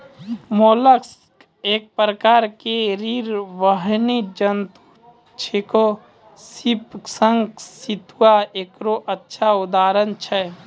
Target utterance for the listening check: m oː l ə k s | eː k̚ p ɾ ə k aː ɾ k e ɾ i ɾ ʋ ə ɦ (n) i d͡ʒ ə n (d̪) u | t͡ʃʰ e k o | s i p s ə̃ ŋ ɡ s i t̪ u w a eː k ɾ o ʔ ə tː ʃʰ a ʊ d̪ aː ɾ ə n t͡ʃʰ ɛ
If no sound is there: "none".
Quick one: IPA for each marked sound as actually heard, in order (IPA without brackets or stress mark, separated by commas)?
n, t̪